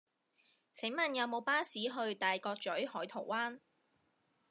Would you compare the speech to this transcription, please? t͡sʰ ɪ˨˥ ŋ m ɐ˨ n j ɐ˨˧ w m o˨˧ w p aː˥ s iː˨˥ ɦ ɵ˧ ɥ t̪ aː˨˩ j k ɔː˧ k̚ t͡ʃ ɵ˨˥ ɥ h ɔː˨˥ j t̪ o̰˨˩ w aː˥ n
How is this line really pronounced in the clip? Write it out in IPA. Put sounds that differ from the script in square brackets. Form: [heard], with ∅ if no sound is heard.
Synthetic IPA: t͡sʰ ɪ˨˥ ŋ m ɐ˨ n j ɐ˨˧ w m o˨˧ w p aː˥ s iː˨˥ ɦ ɵ˧ ɥ t̪ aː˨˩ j k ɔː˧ k̚ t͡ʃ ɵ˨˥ ɥ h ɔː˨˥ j [t̪ʰ] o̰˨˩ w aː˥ n